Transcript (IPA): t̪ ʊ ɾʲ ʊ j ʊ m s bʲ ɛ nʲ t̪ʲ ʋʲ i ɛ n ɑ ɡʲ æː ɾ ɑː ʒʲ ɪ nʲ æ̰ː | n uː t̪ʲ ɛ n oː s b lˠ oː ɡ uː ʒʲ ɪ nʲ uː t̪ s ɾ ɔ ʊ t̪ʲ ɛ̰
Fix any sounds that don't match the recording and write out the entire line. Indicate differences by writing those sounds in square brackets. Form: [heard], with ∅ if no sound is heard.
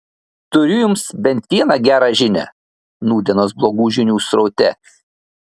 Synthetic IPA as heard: t̪ ʊ ɾʲ ʊ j ʊ m s bʲ ɛ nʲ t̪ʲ ʋʲ i ɛ n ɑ ɡʲ æː ɾ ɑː ʒʲ ɪ nʲ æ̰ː | n uː [d̪ʲ] ɛ n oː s b lˠ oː ɡ uː ʒʲ ɪ nʲ uː [∅] s ɾ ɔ ʊ t̪ʲ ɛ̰